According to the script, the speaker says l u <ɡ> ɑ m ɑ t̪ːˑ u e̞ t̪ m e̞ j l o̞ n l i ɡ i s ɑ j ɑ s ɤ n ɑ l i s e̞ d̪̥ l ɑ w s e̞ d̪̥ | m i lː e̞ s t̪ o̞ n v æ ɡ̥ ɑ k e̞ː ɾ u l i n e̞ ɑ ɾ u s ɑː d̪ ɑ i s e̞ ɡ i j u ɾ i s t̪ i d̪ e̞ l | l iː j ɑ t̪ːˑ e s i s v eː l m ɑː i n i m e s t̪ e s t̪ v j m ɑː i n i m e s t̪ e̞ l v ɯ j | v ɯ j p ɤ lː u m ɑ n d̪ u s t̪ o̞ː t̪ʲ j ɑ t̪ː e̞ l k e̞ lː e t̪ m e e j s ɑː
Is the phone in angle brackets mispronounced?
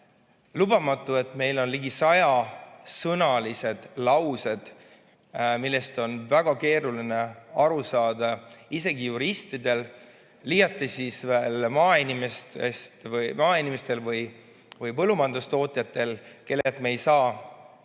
yes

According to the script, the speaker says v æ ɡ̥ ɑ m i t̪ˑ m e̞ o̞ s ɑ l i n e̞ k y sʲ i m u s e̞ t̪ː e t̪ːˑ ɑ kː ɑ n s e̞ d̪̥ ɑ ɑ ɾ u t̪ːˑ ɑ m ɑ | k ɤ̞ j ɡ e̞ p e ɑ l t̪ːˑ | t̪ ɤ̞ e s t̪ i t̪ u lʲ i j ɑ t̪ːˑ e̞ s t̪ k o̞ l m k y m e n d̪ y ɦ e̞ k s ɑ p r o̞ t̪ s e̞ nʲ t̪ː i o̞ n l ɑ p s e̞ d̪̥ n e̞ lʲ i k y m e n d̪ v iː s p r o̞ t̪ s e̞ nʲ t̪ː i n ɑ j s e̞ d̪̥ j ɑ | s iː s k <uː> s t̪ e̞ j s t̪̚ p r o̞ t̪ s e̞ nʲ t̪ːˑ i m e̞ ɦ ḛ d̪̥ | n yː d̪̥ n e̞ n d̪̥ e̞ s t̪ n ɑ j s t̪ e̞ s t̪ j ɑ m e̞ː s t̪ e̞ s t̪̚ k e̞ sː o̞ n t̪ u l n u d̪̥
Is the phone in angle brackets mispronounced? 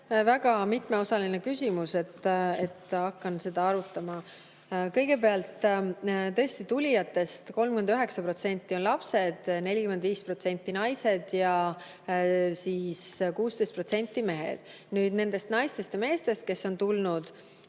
no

